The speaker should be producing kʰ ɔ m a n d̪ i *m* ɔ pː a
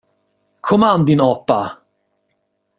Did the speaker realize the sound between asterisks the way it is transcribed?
no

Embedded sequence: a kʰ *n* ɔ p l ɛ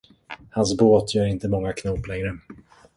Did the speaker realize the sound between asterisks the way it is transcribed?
yes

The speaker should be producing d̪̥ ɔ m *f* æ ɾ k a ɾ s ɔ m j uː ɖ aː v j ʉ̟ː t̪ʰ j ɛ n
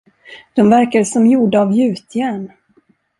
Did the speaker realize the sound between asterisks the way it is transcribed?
no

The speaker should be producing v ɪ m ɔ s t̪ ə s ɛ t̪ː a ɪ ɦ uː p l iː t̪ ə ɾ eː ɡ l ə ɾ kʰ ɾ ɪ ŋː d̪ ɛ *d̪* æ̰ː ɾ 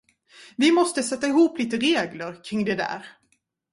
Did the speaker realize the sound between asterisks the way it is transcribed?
yes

